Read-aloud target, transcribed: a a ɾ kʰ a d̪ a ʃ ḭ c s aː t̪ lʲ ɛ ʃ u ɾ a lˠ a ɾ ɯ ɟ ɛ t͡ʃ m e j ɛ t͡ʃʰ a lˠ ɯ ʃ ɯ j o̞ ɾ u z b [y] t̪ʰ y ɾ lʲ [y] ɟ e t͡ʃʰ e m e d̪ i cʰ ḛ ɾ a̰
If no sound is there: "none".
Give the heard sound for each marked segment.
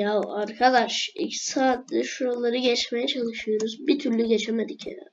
i, y

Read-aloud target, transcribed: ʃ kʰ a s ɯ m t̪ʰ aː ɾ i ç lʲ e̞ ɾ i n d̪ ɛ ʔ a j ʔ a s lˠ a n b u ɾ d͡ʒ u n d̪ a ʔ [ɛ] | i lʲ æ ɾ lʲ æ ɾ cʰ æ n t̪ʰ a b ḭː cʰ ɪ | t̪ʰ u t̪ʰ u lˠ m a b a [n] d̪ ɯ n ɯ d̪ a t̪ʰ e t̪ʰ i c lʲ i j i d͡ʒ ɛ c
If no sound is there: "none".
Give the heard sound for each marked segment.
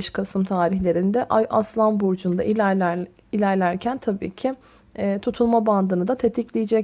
i, n

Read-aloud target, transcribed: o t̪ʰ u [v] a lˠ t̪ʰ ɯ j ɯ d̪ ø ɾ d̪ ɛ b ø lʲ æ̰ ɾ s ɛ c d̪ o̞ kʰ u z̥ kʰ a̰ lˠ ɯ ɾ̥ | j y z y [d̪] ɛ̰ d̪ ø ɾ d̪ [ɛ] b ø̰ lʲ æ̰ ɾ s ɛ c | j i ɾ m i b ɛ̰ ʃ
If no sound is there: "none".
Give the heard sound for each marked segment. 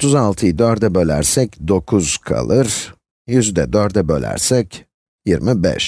z, d̪, ɛ

